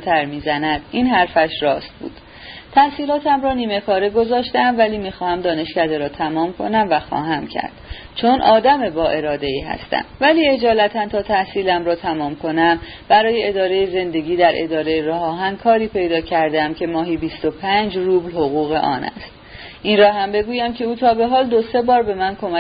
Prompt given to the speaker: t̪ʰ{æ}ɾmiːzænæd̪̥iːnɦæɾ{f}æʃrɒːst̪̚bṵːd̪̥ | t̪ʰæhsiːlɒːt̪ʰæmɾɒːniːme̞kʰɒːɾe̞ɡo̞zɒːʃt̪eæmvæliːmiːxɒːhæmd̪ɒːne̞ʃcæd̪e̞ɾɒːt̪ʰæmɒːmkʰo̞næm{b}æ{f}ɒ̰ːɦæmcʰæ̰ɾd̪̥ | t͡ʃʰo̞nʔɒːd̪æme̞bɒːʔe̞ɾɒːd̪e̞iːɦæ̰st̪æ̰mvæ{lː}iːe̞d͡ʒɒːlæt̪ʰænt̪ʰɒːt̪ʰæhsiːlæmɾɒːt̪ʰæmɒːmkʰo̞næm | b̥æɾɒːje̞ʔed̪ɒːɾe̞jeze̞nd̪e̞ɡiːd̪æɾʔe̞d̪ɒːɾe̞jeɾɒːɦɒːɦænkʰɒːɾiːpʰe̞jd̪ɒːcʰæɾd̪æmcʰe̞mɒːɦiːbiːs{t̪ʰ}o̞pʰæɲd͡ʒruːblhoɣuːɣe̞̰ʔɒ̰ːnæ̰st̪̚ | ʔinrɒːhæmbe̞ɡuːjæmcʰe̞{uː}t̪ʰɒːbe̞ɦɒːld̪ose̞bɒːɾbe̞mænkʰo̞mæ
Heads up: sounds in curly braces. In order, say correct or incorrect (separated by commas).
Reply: correct, correct, incorrect, incorrect, incorrect, incorrect, correct